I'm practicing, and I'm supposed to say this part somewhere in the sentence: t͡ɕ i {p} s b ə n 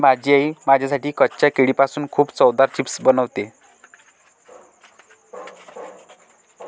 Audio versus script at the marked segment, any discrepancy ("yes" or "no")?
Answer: no